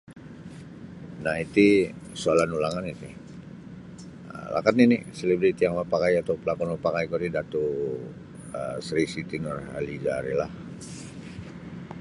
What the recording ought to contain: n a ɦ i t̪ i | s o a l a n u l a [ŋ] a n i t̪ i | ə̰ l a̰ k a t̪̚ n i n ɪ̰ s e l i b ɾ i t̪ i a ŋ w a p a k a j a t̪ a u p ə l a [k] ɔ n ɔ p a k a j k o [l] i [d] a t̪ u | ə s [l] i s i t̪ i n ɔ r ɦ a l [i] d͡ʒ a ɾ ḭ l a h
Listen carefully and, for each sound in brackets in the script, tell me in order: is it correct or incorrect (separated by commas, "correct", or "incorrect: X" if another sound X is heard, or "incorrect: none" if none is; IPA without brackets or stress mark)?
correct, correct, incorrect: ɾ, correct, incorrect: ɾ, correct